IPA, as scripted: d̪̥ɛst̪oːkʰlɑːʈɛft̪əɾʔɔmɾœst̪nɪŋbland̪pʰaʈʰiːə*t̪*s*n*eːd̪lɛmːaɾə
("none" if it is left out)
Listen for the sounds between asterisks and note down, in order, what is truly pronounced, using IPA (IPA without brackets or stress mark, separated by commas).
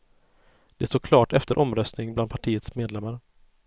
t̪, m